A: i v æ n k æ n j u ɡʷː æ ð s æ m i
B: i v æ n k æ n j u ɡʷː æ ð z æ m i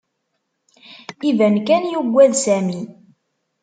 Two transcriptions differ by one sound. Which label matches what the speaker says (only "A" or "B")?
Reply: A